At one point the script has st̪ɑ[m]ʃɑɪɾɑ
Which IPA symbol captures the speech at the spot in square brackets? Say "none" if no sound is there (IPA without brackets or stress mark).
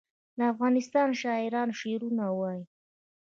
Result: n